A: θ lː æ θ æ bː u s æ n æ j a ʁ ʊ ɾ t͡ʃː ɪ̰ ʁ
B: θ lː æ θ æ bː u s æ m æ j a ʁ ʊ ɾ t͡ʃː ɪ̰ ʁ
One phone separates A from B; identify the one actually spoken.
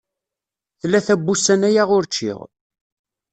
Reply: A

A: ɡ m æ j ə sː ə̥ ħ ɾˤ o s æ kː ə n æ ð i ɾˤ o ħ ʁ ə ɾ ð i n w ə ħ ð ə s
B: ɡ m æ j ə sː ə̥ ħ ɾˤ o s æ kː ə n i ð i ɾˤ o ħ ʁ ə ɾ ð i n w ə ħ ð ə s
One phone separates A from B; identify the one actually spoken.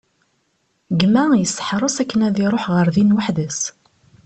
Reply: A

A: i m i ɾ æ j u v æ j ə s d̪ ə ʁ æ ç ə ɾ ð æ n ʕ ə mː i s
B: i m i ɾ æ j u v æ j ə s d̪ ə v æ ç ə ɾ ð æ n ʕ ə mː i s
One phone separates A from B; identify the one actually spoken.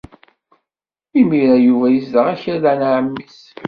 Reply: A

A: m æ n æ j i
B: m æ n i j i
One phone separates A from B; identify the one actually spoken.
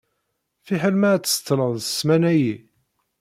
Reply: A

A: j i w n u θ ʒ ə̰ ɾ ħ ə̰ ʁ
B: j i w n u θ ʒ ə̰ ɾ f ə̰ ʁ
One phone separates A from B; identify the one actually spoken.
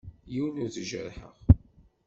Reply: A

